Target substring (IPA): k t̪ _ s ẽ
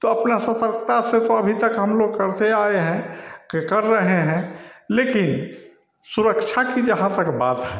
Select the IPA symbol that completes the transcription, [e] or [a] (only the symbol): a